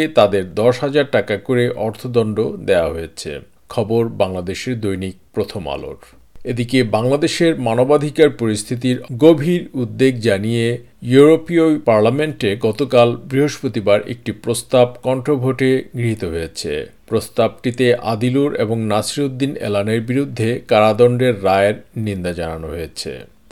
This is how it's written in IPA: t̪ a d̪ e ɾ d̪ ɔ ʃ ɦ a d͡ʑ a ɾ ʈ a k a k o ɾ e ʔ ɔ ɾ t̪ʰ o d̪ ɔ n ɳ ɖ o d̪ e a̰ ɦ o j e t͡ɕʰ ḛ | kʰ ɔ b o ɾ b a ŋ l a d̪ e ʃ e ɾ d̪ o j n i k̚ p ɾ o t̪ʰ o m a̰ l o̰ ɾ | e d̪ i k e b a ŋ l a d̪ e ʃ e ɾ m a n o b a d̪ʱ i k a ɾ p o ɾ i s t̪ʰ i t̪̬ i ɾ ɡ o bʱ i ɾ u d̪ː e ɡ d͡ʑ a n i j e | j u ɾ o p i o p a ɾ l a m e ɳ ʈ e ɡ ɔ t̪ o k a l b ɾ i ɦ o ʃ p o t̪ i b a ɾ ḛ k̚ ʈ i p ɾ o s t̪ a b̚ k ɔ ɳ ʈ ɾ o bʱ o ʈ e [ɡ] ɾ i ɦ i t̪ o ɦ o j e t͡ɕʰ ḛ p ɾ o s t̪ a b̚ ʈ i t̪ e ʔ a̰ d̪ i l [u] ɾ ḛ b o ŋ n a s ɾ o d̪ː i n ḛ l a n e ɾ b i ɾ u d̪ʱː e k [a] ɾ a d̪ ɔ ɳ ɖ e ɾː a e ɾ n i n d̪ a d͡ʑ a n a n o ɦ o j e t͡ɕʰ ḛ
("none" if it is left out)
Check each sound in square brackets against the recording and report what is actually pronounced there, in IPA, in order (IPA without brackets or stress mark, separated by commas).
ɡ, u, a